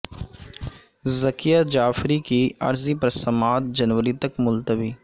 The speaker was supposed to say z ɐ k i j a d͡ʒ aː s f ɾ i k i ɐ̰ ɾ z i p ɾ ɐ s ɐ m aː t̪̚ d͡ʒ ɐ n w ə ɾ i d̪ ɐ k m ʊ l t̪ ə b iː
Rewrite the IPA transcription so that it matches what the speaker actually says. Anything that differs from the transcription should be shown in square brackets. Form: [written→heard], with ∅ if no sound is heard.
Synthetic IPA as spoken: z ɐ k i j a d͡ʒ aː [s→∅] f ɾ i k i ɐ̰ ɾ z i p ɾ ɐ s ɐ m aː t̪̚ d͡ʒ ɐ n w ə ɾ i [d̪→t̪] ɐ k m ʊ l t̪ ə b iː